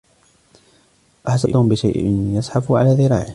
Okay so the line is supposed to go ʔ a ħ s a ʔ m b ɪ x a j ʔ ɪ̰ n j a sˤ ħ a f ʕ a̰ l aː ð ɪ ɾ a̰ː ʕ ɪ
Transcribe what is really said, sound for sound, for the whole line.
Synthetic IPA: ʔ a ħ s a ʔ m b ɪ ʃ a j ʔ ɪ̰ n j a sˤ ħ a f ʕ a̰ l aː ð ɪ ɾ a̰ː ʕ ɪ